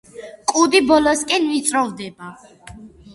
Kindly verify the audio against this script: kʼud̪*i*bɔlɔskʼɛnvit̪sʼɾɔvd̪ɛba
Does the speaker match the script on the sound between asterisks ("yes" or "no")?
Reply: yes